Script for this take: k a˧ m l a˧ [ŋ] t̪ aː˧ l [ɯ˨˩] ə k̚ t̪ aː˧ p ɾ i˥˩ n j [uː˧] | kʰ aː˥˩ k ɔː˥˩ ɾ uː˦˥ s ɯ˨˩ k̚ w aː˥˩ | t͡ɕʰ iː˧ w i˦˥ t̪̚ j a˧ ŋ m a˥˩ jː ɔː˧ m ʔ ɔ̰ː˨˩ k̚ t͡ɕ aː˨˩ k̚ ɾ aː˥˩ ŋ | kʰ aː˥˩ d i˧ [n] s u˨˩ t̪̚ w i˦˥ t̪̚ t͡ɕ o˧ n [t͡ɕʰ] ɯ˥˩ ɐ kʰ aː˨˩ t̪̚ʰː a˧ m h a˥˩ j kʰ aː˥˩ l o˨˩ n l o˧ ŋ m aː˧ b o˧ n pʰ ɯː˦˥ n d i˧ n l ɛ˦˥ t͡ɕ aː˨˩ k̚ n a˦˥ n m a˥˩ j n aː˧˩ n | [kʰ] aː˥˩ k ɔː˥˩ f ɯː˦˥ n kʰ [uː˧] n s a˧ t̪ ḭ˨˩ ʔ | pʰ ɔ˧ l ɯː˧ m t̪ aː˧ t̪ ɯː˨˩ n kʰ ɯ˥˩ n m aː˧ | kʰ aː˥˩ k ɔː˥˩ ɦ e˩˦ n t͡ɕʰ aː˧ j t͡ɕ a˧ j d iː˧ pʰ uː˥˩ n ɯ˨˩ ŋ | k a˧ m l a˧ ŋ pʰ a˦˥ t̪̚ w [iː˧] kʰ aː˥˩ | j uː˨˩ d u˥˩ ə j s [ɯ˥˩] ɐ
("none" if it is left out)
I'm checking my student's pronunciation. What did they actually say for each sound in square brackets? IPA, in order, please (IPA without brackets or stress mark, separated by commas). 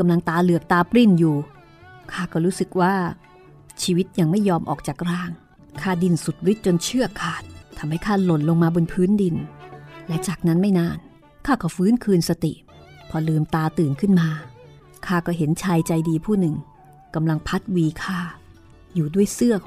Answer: ŋ, ɯ˨˩, uː˨˩, n, t͡ɕʰ, kʰ, ɯː˧, iː˧, ɯ˥˩